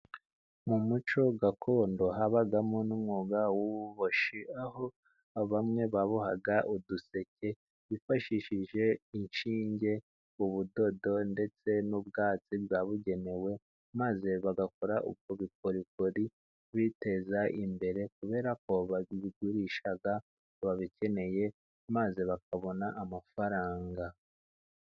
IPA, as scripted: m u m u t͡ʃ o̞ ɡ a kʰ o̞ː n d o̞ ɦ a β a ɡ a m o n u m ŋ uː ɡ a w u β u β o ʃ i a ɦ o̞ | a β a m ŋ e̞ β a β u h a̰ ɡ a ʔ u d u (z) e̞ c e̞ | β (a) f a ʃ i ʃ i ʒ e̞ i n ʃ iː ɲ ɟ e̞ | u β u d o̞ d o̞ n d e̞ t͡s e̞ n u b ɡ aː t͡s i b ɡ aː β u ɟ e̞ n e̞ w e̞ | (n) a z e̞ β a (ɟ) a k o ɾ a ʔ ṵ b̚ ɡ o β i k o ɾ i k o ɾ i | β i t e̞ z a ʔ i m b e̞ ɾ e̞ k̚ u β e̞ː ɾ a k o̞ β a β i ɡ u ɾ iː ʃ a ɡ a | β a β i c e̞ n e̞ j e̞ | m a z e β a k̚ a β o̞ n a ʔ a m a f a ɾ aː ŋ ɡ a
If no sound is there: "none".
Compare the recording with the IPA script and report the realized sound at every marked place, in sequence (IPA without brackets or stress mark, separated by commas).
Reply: s, i, m, ɡ